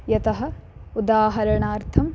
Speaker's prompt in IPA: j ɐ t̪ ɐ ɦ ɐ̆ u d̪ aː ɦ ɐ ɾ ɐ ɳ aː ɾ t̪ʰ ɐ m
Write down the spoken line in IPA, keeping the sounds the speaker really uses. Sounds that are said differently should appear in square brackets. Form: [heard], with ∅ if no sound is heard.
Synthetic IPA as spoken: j ɐ t̪ ɐ ɦ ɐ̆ u d̪ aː ɦ ɐ ɾ ɐ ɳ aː ɾ t̪ʰ ɐ m

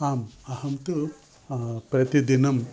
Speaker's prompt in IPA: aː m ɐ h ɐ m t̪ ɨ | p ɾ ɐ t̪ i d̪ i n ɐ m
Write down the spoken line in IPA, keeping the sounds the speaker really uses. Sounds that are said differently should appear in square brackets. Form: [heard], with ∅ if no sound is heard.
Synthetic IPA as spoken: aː m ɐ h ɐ m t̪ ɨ | p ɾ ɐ t̪ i d̪ i n ɐ m

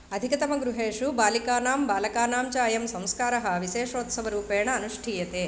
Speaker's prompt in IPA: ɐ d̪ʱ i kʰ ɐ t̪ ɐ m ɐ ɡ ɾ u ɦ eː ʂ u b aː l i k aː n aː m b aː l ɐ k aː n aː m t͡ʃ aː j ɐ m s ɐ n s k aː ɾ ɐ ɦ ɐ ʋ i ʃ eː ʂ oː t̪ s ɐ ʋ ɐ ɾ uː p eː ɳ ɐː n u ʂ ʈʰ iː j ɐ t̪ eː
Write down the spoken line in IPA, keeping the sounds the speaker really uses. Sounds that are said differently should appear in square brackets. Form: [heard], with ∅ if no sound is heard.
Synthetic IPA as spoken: ɐ d̪ʱ i [k] ɐ t̪ ɐ m ɐ ɡ ɾ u ɦ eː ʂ u b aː l i k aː n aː m b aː l ɐ k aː n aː m t͡ʃ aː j ɐ m s ɐ [m] s k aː ɾ ɐ ɦ ɐ ʋ i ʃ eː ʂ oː t̪ s ɐ ʋ ɐ ɾ uː p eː ɳ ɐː n u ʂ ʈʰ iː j ɐ t̪ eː

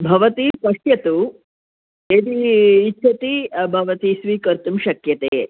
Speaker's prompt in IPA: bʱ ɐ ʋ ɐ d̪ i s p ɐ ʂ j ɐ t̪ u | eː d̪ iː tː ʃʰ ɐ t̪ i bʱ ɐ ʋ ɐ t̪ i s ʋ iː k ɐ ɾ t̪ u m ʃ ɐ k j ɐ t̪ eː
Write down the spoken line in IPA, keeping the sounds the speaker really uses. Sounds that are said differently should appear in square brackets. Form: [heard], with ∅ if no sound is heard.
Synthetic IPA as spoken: bʱ ɐ ʋ ɐ [t̪] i s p ɐ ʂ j ɐ t̪ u | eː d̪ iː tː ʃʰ ɐ t̪ i bʱ ɐ ʋ ɐ t̪ i s ʋ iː k ɐ ɾ t̪ u m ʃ ɐ k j ɐ t̪ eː

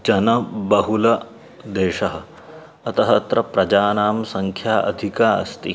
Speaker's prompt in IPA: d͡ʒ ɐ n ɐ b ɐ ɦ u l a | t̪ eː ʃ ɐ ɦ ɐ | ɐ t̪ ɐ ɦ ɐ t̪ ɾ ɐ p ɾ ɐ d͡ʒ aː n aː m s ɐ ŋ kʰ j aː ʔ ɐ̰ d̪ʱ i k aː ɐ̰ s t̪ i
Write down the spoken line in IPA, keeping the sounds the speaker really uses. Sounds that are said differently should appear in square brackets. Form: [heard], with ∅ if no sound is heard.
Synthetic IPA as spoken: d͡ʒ ɐ n ɐ b ɐ ɦ u l [ɐ] | [d̪] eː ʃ ɐ ɦ ɐ | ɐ t̪ ɐ ɦ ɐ t̪ ɾ ɐ p ɾ ɐ d͡ʒ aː n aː m s ɐ ŋ kʰ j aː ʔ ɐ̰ d̪ʱ i k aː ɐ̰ s t̪ i

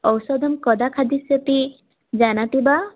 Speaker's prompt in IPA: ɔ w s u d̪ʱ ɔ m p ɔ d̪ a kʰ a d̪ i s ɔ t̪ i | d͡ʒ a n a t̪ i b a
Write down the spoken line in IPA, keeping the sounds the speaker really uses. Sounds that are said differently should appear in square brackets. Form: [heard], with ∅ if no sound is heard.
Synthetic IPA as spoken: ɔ w s [ɔ] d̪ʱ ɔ m [k] ɔ d̪ a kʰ a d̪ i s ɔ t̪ i | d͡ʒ a n a t̪ i b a

